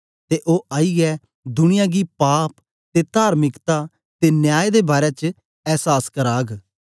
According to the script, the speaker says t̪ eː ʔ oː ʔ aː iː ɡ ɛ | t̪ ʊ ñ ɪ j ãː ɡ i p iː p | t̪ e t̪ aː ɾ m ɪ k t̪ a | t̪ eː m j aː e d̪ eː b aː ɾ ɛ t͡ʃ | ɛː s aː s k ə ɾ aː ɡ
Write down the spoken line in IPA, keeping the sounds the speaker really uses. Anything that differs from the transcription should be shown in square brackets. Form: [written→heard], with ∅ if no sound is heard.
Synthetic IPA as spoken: t̪ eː ʔ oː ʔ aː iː ɡ ɛ | [t̪→d̪] ʊ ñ ɪ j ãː ɡ i p [iː→aː] p | t̪ e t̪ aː ɾ m ɪ k t̪ a | t̪ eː [m→n] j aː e d̪ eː b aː ɾ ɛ t͡ʃ | ɛː s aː s k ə ɾ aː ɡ